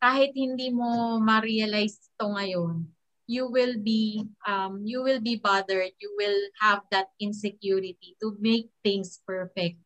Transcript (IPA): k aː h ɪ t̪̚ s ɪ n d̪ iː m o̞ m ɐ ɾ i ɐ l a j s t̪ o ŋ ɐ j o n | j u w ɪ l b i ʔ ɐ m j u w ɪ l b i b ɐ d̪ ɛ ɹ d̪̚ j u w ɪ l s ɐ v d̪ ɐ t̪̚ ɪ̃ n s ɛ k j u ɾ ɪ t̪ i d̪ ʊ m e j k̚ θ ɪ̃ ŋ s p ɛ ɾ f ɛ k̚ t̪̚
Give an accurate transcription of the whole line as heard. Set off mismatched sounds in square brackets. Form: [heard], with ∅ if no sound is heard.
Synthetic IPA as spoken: k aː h ɪ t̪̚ [h] ɪ n d̪ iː m o̞ m ɐ ɾ i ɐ l a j s t̪ o ŋ ɐ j o n | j u w ɪ l b i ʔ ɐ m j u w ɪ l b i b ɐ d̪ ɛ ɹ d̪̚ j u w ɪ l [h] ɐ v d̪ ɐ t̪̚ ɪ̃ n s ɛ k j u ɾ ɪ t̪ i [t̪] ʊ m e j k̚ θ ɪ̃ ŋ s p ɛ [ɹ] f ɛ k̚ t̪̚